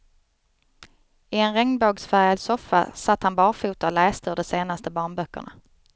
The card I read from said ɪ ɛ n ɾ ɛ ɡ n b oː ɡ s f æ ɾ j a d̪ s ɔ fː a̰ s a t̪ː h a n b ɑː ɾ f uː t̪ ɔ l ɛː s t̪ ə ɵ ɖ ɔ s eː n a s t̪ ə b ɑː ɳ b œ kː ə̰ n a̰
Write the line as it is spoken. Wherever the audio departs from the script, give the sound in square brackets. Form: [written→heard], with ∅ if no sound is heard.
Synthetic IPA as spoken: ɪ ɛ n ɾ ɛ [ɡ→ŋ] n b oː ɡ s f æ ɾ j a d̪ s ɔ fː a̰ s a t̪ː h a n b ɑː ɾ f uː t̪ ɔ l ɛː s t̪ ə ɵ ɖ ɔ s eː n a s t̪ ə b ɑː ɳ b œ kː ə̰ [n→ɳ] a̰